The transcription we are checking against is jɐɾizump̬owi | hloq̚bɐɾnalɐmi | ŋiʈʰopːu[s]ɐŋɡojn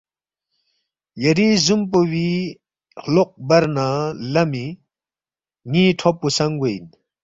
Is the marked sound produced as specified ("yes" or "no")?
yes